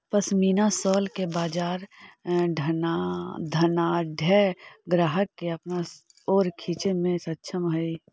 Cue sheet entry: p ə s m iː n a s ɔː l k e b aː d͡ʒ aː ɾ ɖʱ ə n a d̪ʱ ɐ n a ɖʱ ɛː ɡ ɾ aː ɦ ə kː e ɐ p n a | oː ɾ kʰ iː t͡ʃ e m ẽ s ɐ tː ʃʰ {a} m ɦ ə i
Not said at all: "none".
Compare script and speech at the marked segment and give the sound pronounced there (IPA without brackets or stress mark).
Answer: ə